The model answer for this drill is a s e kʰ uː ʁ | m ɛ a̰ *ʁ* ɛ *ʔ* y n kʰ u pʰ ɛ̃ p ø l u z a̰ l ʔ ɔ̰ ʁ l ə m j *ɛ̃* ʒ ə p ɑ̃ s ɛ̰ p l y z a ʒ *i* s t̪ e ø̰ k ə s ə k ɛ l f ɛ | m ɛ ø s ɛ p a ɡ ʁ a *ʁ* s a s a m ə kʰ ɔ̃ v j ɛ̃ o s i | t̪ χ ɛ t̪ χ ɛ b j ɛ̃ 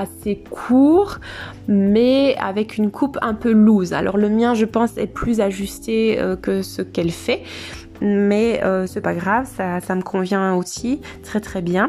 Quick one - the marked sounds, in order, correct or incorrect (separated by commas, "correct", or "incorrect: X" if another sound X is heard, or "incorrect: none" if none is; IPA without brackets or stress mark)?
incorrect: v, incorrect: k, correct, incorrect: y, incorrect: v